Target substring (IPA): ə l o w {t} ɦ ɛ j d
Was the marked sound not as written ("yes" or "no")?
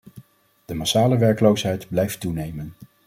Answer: yes